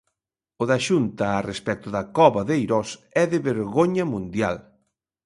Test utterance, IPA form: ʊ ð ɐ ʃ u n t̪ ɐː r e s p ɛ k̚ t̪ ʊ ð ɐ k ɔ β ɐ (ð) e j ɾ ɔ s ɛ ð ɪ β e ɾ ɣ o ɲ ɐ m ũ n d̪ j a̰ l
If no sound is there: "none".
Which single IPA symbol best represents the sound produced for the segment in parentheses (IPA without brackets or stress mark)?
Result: ð